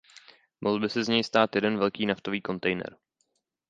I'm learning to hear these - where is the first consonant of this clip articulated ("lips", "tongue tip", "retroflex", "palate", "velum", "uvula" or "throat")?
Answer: lips